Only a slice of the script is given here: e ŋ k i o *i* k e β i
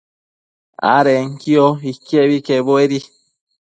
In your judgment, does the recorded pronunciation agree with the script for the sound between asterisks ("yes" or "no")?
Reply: yes